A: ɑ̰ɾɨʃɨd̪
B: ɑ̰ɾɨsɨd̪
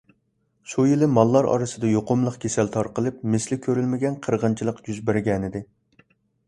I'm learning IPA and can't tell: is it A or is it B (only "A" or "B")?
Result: B